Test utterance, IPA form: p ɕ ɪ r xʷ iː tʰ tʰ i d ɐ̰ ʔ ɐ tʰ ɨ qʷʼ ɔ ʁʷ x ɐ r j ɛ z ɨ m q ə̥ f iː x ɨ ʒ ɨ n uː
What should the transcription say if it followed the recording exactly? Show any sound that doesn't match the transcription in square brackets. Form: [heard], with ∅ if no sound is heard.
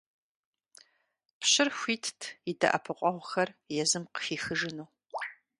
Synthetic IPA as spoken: p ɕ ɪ r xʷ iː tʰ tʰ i d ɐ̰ ʔ ɐ [pʰ] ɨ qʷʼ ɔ ʁʷ x ɐ r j ɛ z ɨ m q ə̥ f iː x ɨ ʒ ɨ n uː